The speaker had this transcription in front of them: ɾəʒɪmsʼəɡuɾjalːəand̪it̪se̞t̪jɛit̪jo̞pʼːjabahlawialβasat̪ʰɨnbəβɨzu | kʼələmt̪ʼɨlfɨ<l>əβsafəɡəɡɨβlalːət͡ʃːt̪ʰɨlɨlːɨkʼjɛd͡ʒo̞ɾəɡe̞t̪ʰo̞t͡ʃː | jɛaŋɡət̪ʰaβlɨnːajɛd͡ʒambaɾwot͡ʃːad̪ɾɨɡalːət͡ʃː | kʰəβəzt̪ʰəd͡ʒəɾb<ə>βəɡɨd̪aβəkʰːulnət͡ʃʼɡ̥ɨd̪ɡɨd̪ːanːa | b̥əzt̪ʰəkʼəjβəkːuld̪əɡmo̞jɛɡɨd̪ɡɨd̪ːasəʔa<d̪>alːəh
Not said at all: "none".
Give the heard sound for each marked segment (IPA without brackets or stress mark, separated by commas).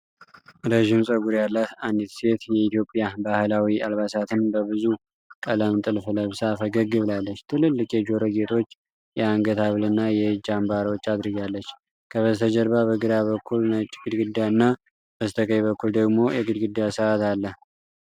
l, a, t̪